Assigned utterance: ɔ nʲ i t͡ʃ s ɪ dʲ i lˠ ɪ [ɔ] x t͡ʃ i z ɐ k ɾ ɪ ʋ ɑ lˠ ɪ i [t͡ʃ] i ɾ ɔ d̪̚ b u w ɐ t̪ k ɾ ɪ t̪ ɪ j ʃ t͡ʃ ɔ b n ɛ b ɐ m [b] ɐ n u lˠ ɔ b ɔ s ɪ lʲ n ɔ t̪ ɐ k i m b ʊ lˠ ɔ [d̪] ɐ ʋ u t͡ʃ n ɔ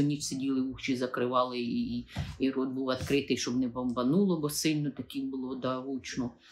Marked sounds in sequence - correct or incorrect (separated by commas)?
incorrect, incorrect, correct, correct